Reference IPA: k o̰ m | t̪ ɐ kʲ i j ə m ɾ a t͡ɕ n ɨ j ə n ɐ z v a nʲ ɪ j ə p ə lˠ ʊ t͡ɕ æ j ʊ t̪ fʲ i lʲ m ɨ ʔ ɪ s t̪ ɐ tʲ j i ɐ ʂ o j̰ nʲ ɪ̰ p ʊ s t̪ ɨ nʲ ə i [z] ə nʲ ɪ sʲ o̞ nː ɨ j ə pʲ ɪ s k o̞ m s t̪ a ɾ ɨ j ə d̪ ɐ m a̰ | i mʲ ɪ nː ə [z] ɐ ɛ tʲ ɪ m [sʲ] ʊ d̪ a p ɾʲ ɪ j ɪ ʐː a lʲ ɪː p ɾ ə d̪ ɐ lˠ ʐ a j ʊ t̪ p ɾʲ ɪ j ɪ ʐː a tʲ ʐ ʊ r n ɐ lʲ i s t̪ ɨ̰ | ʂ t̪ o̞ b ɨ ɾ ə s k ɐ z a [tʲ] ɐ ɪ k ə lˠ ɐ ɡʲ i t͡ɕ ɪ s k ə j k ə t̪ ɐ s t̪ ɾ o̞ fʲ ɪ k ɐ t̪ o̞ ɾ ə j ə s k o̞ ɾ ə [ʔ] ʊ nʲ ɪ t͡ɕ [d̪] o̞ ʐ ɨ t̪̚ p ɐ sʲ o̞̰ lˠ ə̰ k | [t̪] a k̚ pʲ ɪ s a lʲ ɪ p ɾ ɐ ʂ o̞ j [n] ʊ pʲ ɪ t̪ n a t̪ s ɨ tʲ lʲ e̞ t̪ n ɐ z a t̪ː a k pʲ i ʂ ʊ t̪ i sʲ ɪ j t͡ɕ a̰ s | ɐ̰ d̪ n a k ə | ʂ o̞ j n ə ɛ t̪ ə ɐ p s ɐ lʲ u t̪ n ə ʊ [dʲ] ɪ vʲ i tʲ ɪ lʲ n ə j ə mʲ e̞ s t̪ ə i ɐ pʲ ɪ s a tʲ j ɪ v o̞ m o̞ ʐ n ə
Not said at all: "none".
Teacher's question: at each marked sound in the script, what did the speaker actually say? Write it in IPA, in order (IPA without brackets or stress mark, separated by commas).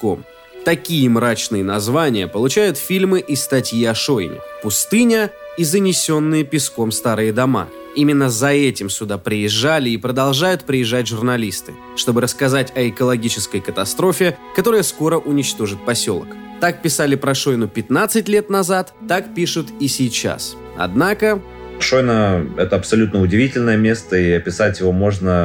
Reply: z, z, sʲ, tʲ, ʔ, t̪, t̪, n, dʲ